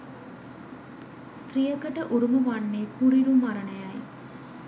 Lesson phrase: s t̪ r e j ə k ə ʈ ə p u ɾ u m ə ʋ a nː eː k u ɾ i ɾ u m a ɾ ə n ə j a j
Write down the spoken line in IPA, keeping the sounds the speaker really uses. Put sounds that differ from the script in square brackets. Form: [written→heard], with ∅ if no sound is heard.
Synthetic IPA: s t̪ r [e→i] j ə k ə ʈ ə [p→ʔ] u ɾ u m ə ʋ a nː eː k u ɾ i ɾ u m a ɾ ə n ə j a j

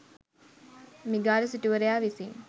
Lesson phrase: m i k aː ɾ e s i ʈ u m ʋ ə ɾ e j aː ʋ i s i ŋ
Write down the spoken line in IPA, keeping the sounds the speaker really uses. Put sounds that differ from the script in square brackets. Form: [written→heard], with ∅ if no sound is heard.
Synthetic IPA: m i [k→ɡ] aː ɾ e s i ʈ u [m→∅] ʋ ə ɾ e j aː ʋ i s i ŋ

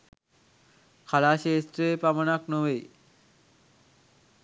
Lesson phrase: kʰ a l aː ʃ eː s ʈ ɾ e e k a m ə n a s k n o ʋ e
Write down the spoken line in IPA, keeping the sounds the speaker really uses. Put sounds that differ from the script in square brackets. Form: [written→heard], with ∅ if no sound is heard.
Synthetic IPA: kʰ a l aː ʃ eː s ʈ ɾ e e [k→p] a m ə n a [s→∅] k n o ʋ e

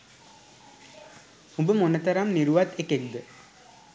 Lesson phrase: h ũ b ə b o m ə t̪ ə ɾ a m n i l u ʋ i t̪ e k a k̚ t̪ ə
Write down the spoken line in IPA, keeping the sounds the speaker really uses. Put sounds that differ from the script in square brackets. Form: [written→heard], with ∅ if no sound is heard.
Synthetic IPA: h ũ b ə [b→m] o [m→n] ə t̪ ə ɾ a m n i [l→ɾ] u ʋ [i→a] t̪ e k [a→e] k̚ [t̪→d̪] ə

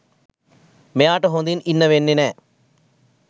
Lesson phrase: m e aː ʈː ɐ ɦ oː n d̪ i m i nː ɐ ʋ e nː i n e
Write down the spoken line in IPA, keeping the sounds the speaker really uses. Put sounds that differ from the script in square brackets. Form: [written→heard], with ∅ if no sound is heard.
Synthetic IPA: m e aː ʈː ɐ ɦ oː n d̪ i [m→n] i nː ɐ ʋ e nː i n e

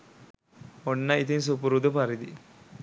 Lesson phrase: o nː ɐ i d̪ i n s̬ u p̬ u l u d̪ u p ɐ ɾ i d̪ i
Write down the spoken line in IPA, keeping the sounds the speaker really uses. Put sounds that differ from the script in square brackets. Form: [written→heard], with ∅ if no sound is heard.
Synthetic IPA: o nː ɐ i [d̪→t̪] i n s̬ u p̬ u [l→ɾ] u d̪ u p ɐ ɾ i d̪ i

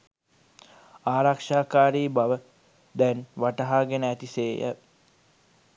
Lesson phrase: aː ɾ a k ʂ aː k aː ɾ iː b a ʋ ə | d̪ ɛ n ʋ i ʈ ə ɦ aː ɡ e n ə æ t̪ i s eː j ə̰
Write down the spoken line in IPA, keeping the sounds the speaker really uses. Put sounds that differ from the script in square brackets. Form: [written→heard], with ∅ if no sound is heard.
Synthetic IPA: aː ɾ a k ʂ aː k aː ɾ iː b a ʋ ə | d̪ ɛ n ʋ [i→a] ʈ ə ɦ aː ɡ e n ə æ t̪ i s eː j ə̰

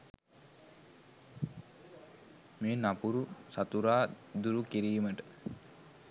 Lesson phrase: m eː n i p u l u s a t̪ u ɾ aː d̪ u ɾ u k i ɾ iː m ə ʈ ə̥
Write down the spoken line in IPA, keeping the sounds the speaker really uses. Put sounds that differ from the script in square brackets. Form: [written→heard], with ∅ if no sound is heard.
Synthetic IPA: m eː n [i→a] p u [l→ɾ] u s a t̪ u ɾ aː d̪ u ɾ u k i ɾ iː m ə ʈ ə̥

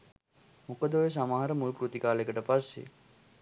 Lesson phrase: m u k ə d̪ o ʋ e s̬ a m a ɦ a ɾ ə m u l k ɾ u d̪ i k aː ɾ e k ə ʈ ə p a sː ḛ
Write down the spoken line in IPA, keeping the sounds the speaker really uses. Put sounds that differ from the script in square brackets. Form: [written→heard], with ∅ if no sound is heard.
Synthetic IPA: m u k ə d̪ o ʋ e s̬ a m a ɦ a ɾ ə m u l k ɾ u [d̪→t̪] i k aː [ɾ→l] e k ə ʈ ə p a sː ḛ

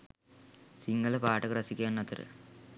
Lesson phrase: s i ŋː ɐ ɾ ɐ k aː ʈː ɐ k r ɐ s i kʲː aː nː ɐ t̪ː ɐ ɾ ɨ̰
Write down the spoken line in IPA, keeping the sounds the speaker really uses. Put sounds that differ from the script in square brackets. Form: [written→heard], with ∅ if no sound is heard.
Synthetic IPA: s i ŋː ɐ [ɾ→l] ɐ [k→p] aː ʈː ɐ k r ɐ s i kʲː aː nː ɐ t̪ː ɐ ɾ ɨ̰

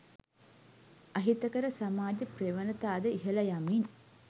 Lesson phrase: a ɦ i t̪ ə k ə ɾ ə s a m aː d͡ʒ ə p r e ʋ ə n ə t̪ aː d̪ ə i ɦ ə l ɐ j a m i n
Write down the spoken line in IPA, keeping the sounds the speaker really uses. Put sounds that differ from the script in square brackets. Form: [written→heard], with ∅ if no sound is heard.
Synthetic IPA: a ɦ i t̪ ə k ə ɾ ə s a m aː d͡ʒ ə p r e ʋ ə n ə t̪ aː d̪ ə i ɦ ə l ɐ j a m i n

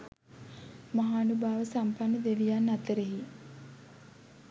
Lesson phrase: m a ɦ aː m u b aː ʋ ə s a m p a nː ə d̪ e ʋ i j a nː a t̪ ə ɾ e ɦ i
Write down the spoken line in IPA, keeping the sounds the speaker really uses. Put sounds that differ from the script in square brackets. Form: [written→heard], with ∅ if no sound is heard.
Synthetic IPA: m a ɦ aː [m→n] u b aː ʋ ə s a m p a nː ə d̪ e ʋ i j a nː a t̪ ə ɾ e ɦ i

